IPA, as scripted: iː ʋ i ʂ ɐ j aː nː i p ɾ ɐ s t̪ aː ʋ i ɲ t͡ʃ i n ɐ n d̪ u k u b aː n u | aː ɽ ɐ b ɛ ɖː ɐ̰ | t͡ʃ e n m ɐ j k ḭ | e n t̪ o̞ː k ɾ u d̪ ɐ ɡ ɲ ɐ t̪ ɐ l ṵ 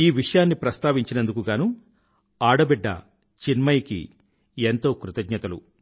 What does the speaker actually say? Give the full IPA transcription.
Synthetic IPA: iː ʋ i ʂ ɐ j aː nː i p ɾ ɐ s t̪ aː ʋ i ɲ t͡ʃ i n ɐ n d̪ u k u ɡ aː n u | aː ɽ ɐ b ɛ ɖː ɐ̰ | t͡ʃ i n m ɐ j k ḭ | e n t̪ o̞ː k ɾ u t̪ ɐ ɡ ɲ ɐ t̪ ɐ l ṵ